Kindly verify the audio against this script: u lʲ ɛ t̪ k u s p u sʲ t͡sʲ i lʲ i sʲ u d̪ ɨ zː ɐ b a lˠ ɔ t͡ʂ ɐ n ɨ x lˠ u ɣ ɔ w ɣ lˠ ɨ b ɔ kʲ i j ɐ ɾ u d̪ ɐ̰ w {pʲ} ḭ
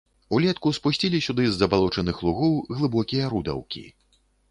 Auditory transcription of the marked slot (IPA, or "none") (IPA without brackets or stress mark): kʲ